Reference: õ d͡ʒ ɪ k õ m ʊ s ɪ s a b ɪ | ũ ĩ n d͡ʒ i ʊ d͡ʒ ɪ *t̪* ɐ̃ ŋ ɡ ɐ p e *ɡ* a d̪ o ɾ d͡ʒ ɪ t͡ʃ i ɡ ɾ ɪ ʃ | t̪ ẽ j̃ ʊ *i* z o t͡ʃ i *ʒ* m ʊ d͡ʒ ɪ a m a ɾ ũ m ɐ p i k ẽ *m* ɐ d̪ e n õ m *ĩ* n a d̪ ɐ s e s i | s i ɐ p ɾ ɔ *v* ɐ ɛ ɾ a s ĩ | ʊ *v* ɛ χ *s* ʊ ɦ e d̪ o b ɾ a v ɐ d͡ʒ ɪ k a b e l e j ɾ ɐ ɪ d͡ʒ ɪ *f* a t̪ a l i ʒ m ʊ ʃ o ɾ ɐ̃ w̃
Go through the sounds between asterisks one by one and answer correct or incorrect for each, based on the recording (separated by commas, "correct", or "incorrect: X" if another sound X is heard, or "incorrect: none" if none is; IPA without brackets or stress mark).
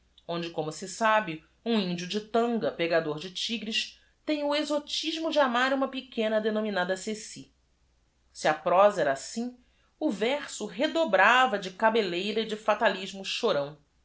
correct, correct, incorrect: e, correct, incorrect: n, incorrect: i, incorrect: z, correct, correct, correct